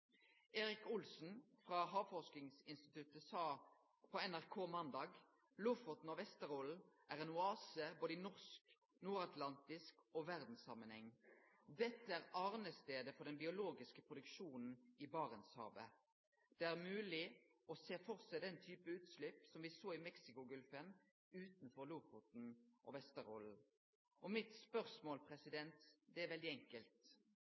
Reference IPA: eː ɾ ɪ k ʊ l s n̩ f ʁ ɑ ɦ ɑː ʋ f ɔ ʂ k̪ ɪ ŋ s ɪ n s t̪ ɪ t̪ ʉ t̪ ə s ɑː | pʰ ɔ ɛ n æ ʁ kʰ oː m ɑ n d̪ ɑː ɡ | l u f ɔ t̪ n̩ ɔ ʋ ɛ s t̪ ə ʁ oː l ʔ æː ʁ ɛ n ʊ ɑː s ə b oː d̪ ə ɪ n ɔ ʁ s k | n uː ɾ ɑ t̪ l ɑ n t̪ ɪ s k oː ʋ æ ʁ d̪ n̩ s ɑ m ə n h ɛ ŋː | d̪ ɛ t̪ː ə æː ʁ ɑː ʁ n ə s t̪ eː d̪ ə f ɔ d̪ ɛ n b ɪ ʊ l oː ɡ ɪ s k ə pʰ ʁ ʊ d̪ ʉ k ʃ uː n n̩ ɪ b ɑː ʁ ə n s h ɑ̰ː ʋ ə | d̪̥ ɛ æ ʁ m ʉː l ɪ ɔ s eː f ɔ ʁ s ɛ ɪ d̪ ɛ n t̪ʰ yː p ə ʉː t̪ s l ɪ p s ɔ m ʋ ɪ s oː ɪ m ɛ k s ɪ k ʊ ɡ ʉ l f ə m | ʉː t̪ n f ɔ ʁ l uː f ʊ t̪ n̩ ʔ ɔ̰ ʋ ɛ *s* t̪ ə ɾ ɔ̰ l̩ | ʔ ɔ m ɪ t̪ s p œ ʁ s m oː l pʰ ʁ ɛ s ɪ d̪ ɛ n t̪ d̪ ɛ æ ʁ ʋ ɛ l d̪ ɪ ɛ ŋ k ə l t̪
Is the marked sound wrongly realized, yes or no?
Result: no